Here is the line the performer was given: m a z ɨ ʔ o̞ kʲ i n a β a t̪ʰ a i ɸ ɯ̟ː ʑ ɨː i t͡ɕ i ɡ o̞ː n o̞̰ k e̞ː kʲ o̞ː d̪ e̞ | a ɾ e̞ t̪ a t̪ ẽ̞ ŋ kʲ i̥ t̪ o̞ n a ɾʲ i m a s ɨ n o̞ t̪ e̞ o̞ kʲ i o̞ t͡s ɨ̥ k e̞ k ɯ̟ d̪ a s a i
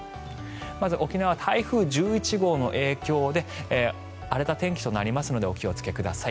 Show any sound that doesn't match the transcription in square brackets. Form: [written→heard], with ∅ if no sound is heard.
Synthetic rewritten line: m a z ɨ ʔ o̞ kʲ i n a β a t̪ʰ a i ɸ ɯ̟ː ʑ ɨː i t͡ɕ i ɡ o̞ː n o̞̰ [k→ʔ] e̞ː kʲ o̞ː d̪ e̞ | a ɾ e̞ t̪ a t̪ ẽ̞ ŋ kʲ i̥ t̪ o̞ n a ɾʲ i m a s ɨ n o̞ [t̪→d̪] e̞ o̞ kʲ i o̞ t͡s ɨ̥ k e̞ k ɯ̟ d̪ a s a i